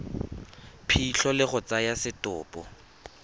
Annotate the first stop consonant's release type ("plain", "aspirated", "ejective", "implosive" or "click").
aspirated